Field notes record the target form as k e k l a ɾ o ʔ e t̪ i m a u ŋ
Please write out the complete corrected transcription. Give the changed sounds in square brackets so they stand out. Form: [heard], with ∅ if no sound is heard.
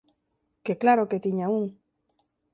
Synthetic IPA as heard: k e k l a ɾ o [k] e t̪ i [ɲ] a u ŋ